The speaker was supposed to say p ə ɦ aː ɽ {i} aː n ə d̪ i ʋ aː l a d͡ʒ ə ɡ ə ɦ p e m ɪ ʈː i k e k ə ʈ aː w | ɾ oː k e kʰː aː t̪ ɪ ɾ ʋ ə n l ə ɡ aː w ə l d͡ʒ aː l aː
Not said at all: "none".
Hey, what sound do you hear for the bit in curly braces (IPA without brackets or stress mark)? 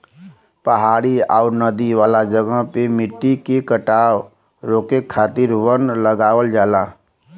i